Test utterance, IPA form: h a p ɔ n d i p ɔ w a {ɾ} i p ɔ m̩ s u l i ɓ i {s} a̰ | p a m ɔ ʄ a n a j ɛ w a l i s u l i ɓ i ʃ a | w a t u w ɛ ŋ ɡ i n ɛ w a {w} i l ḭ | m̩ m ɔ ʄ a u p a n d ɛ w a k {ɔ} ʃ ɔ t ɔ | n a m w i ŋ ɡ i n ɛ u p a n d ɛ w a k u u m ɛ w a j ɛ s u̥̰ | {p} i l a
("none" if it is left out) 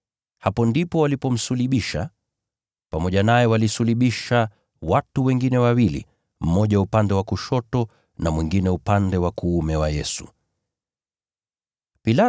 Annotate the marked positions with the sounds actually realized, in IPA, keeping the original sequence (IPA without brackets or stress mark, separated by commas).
l, ʃ, w, u, p